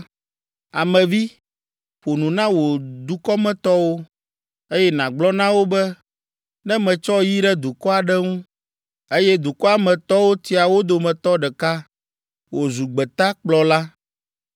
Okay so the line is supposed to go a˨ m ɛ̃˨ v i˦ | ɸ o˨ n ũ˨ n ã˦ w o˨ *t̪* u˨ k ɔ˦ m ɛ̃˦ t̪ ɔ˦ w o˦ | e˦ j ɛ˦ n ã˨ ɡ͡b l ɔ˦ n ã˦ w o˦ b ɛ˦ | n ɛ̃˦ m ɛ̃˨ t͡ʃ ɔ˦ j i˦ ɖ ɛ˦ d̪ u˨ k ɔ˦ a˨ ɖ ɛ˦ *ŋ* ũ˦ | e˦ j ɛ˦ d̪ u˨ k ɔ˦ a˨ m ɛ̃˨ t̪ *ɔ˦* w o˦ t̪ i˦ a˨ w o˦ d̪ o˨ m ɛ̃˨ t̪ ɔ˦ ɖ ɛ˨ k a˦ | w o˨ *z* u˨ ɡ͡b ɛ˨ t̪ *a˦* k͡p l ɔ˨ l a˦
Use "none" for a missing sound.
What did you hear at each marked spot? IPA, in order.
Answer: d̪, ŋ, ɔ˦, z, a˦

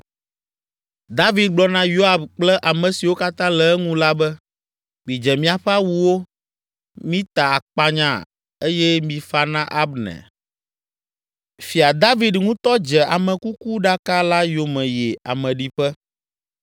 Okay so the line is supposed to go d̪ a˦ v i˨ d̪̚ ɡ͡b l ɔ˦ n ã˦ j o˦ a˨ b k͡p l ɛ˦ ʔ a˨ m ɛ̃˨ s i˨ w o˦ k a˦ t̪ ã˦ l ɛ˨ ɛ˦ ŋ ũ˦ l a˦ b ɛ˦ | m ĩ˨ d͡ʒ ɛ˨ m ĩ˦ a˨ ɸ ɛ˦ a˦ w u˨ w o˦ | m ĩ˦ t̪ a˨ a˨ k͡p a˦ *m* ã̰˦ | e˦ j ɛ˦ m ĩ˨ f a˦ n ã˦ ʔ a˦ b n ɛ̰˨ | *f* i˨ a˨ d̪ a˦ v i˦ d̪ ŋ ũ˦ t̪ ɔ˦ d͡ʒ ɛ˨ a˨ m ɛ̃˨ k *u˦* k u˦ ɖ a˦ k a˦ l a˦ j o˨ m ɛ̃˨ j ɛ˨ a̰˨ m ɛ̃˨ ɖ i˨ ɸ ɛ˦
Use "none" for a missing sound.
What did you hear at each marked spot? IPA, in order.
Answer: ɲ, f, u˦

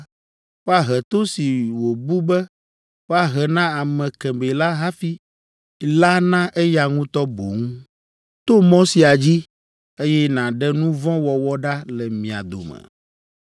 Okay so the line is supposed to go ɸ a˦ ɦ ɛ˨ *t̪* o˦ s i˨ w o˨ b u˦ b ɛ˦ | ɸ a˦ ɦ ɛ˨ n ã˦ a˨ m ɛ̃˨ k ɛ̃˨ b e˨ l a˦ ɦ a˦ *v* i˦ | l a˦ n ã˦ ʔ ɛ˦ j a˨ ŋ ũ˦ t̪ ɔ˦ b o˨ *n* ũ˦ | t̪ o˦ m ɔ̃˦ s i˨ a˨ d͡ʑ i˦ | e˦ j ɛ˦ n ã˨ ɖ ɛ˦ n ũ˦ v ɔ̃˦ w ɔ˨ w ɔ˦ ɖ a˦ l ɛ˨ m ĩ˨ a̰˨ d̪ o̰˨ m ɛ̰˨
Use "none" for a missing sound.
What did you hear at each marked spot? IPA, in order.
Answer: t̪, f, ŋ

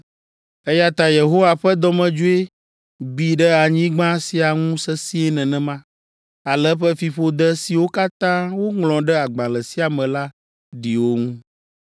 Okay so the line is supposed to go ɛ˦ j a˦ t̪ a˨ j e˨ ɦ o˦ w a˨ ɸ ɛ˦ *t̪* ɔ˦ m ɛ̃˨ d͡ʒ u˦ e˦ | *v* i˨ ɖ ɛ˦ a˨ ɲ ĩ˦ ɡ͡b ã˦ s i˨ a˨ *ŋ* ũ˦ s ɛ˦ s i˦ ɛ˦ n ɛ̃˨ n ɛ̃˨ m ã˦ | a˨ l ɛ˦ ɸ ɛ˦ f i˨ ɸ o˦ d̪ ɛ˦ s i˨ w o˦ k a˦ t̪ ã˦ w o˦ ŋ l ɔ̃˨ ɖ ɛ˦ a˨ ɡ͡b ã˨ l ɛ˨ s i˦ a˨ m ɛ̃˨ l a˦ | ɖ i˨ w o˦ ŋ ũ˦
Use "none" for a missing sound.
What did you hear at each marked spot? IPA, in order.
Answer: d̪, b, ŋ

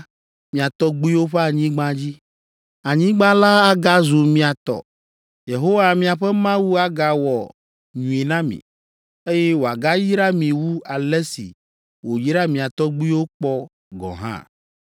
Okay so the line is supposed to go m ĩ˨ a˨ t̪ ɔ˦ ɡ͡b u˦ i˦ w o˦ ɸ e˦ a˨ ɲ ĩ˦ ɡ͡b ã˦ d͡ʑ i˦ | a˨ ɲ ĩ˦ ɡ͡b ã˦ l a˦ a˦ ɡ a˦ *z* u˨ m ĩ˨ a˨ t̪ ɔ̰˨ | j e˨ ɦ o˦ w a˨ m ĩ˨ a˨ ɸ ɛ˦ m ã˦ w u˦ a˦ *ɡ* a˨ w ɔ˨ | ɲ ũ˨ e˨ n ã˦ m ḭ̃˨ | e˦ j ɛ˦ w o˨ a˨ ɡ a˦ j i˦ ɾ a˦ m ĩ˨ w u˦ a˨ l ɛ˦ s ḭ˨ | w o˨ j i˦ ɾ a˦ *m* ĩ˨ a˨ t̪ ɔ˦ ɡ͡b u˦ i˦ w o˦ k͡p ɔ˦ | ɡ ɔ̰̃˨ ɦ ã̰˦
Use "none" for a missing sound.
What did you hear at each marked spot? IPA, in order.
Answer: z, ɡ, m

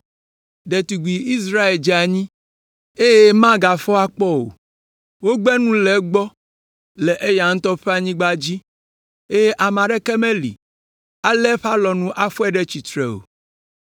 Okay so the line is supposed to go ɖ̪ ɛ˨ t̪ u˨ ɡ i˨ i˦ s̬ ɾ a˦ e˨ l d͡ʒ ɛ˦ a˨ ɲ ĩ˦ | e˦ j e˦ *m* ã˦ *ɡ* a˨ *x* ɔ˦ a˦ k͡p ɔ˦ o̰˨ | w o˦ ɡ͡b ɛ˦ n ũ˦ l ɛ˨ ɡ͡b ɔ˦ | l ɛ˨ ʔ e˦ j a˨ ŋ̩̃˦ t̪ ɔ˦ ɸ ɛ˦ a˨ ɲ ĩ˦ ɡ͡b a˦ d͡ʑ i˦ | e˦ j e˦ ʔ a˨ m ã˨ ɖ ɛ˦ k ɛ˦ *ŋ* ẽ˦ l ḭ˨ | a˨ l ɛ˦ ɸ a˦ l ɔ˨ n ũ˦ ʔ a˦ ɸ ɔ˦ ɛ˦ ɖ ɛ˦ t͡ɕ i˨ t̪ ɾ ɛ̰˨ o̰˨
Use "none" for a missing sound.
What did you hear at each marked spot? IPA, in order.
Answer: m, ɡ, f, m

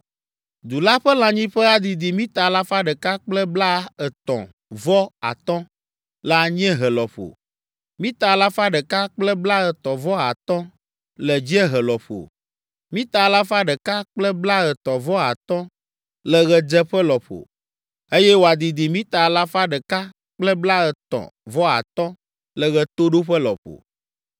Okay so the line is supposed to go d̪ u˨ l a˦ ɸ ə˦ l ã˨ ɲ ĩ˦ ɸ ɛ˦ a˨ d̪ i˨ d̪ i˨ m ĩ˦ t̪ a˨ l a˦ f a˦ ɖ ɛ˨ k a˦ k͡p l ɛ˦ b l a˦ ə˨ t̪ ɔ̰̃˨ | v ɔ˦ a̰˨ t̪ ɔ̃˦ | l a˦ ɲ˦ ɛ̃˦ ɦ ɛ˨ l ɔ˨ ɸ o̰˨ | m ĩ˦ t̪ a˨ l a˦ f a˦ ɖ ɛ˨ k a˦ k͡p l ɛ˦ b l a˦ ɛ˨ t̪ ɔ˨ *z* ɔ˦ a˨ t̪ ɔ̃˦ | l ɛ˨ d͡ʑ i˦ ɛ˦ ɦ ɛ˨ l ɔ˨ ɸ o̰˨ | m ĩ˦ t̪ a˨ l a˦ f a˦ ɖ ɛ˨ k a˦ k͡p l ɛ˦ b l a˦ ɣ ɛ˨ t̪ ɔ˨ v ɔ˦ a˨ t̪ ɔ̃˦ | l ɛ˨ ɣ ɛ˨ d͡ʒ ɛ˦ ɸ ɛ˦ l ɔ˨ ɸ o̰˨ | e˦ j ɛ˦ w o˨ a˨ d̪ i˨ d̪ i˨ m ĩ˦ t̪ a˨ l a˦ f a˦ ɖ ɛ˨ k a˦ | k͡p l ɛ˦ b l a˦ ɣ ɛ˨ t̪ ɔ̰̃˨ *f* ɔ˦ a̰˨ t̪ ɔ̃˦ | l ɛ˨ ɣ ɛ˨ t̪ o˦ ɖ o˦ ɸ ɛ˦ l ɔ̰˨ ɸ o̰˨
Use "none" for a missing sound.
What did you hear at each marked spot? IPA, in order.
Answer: v, v

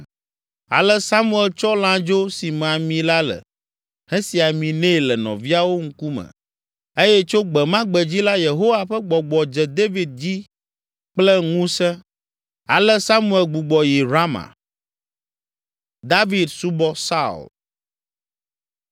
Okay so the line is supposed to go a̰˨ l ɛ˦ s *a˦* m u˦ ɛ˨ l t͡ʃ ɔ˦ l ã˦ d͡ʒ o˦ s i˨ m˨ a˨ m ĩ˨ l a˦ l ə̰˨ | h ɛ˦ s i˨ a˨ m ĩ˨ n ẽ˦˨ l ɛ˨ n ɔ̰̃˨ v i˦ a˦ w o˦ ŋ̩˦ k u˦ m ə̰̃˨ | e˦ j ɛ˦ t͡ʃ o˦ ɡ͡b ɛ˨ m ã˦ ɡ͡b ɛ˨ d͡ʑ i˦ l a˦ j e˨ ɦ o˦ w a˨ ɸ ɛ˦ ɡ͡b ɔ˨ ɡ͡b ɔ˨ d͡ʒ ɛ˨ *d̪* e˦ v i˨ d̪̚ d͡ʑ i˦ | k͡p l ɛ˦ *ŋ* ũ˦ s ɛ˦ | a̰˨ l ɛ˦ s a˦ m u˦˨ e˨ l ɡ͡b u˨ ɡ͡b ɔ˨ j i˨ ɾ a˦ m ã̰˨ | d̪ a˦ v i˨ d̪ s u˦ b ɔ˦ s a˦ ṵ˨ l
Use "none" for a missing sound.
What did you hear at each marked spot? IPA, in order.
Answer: a˦, d̪, ŋ

